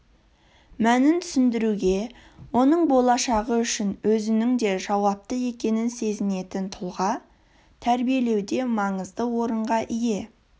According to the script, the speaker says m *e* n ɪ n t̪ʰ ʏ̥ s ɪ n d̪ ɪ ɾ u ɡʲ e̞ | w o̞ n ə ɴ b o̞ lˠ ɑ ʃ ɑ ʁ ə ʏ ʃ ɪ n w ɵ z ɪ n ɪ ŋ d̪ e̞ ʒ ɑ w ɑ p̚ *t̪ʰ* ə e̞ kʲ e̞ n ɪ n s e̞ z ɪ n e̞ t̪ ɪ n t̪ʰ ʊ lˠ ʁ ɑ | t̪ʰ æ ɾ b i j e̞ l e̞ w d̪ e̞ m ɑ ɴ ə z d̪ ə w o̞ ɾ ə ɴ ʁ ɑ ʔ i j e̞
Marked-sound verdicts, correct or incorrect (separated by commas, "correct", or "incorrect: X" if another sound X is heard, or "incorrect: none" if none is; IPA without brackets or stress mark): incorrect: æ, incorrect: t̪